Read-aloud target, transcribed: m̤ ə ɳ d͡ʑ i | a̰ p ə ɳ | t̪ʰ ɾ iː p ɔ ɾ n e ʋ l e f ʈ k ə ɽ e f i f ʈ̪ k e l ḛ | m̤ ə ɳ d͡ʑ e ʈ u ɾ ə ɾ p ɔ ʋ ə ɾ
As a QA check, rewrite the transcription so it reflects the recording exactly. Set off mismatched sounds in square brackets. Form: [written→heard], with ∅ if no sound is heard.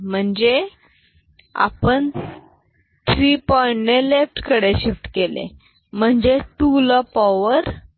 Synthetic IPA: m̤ ə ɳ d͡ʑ [i→e] | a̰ p ə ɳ | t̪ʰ ɾ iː p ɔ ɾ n e [ʋ→∅] l e f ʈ k ə ɽ e [f→ɕ] i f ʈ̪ k e l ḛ | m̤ ə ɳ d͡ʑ e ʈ u [ɾ→l] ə [ɾ→∅] p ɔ ʋ ə ɾ